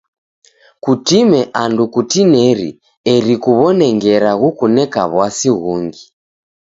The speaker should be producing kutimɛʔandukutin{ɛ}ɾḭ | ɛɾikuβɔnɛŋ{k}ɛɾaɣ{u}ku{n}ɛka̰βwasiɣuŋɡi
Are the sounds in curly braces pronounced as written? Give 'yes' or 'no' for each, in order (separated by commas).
yes, no, yes, yes